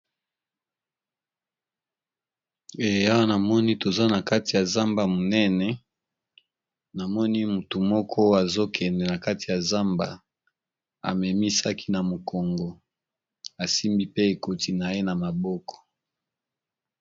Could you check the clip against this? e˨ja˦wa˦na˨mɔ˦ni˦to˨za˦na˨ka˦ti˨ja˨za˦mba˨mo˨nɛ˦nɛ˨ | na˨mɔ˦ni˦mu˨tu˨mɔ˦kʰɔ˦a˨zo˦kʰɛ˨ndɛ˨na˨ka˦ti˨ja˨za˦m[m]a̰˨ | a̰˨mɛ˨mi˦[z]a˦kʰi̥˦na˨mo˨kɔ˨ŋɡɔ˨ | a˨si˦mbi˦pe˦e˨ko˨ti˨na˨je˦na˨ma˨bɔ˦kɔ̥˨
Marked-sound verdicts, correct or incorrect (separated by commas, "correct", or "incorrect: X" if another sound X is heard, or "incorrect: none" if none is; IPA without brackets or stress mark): incorrect: b, incorrect: s